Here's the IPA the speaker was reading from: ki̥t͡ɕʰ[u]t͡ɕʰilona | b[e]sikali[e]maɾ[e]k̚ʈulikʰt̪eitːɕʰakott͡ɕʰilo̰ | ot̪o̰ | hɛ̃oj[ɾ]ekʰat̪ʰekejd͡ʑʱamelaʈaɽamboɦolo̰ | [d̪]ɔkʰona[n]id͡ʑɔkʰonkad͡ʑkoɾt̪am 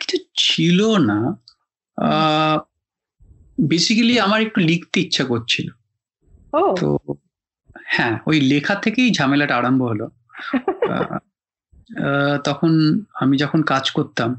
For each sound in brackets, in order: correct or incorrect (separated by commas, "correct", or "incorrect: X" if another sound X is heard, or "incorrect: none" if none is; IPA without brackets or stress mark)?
correct, correct, incorrect: a, correct, incorrect: l, incorrect: t̪, incorrect: m